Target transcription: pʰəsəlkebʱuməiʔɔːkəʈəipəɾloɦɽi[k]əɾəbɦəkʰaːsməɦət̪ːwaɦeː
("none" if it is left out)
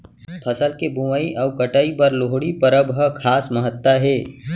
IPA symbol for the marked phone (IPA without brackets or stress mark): p